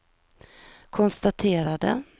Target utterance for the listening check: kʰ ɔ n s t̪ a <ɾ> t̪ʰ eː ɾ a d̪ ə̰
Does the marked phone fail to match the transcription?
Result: yes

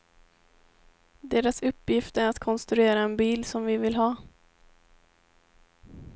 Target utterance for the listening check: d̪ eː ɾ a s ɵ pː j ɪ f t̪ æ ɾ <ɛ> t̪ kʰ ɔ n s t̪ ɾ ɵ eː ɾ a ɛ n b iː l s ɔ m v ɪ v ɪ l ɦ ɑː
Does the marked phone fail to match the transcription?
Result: yes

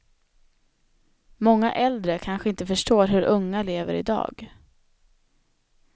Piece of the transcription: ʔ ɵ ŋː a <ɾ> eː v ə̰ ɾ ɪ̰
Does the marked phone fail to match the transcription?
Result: yes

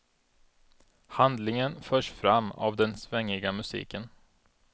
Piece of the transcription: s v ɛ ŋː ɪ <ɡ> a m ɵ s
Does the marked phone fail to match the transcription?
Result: no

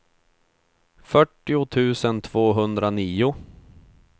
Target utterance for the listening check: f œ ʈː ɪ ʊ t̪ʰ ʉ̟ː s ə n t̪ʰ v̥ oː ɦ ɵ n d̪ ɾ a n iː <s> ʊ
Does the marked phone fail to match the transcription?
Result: yes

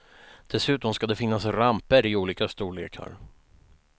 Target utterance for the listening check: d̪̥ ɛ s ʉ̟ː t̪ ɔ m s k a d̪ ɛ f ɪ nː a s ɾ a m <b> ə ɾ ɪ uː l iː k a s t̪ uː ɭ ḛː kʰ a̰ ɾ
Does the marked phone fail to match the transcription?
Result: yes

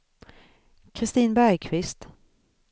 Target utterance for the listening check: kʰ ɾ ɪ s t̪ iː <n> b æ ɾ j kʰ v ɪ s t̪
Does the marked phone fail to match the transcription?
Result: no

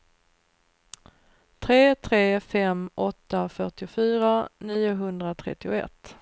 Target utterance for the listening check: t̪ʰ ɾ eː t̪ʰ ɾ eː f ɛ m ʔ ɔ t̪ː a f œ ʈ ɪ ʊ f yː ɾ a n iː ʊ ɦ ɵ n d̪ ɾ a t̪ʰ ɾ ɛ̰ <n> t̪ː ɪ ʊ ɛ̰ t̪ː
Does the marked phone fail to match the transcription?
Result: yes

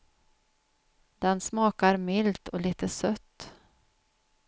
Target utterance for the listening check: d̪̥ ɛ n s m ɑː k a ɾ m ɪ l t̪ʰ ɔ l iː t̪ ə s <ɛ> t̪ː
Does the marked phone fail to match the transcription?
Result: yes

